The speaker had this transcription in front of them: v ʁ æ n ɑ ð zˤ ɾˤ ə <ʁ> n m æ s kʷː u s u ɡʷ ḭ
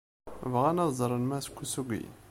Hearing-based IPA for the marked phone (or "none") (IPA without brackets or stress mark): none